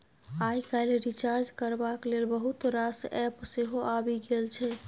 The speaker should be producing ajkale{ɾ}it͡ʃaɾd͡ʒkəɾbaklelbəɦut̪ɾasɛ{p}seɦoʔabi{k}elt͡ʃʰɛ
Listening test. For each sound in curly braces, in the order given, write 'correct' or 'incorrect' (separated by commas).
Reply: correct, correct, incorrect